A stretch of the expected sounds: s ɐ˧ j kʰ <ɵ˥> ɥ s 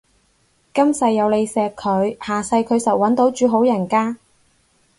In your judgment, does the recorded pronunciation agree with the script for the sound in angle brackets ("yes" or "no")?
no